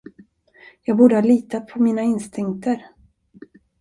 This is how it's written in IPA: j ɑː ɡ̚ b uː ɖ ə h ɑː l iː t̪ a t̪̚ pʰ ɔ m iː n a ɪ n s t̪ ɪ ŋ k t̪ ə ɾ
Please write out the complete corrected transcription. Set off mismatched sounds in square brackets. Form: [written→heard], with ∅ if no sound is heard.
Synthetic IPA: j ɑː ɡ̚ b uː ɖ ə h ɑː l iː t̪ a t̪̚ pʰ ɔ m iː n a ɪ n s t̪ ɪ ŋ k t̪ ə ɾ